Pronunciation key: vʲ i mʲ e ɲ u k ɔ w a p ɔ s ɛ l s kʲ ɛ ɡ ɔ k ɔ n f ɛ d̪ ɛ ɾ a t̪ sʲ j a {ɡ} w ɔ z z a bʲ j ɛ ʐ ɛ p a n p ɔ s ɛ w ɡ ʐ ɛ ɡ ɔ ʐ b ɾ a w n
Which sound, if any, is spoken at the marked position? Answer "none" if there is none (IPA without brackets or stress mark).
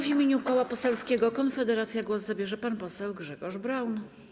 ɡ